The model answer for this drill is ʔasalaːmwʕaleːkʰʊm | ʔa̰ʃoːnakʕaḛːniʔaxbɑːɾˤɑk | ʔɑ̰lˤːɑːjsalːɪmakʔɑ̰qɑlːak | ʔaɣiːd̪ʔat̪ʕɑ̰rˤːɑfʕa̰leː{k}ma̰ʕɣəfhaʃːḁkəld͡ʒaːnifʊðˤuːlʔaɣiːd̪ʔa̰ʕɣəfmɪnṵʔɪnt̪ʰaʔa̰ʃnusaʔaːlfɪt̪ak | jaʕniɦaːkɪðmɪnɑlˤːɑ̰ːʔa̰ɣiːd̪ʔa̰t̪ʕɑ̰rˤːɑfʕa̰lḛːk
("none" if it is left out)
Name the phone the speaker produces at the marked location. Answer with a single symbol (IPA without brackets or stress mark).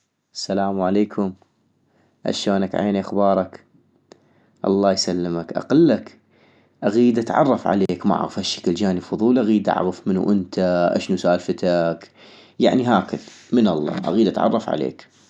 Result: k